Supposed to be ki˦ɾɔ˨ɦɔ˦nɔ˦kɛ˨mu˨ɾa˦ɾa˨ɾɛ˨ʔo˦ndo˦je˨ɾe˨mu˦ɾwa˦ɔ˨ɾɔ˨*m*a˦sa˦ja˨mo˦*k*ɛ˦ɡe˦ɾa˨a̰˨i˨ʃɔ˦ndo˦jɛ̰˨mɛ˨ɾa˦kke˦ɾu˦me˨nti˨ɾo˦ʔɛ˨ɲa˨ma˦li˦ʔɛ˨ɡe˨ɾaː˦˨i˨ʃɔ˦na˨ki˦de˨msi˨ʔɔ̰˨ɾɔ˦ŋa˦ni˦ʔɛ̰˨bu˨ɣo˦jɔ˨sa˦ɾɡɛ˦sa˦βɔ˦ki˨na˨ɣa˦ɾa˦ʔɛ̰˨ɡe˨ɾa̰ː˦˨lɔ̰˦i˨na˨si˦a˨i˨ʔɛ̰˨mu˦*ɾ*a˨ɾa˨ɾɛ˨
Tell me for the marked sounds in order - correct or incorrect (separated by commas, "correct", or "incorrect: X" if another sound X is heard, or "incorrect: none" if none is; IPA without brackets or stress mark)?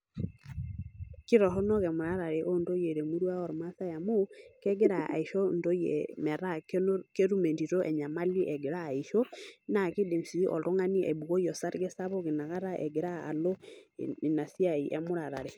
correct, correct, correct